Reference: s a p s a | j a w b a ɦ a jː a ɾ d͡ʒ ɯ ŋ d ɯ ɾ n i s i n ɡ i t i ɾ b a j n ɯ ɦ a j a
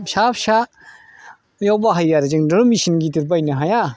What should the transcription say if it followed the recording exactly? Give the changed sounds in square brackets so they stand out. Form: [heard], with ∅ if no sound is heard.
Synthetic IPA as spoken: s a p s a | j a w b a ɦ a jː a ɾ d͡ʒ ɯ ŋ d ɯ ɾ [m] i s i n ɡ i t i ɾ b a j n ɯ ɦ a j a